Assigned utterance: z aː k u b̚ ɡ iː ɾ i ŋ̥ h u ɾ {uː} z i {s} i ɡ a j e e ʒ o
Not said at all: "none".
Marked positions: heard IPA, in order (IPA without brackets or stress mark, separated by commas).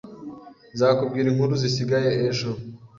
u, s